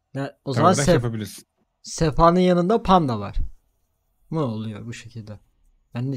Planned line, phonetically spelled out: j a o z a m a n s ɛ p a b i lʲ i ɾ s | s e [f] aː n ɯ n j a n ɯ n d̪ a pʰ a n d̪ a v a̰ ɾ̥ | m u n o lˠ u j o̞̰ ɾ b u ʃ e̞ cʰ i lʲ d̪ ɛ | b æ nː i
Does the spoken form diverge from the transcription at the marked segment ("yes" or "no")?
no